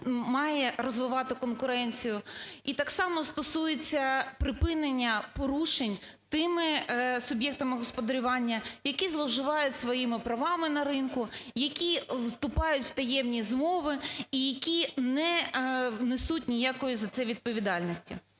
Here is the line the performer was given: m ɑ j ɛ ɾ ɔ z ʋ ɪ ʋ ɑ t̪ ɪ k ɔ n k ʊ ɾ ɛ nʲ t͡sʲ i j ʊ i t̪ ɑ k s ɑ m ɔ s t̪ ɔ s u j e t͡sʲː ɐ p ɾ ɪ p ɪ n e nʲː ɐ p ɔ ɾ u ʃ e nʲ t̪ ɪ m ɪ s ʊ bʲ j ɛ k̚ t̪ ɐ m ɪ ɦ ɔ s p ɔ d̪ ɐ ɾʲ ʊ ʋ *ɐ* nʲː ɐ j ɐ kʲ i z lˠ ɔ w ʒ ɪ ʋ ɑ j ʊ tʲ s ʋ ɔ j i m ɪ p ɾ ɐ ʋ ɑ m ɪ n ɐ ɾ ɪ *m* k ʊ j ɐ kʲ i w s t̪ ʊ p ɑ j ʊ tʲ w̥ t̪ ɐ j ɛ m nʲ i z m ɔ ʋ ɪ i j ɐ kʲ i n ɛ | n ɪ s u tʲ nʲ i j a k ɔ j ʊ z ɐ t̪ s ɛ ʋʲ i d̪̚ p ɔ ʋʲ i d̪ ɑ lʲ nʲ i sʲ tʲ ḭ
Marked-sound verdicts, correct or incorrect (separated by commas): incorrect, incorrect